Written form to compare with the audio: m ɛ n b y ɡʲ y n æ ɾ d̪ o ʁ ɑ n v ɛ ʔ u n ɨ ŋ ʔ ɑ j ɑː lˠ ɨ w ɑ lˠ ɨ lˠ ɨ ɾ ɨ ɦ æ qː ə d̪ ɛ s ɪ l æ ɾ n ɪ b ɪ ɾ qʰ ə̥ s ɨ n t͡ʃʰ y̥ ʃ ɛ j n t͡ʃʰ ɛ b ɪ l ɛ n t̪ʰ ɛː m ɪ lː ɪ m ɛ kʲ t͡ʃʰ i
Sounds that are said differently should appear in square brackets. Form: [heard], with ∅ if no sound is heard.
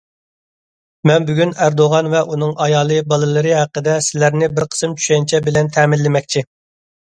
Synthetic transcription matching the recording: m ɛ n b y ɡʲ y n æ ɾ d̪ o ʁ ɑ n v ɛ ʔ u n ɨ ŋ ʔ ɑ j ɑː lˠ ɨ [b] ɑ lˠ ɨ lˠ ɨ ɾ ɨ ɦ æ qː ə d̪ ɛ s ɪ l æ ɾ n ɪ b ɪ ɾ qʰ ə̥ s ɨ [m] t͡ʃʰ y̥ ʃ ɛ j n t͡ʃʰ ɛ b ɪ l ɛ n t̪ʰ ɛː m ɪ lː ɪ m ɛ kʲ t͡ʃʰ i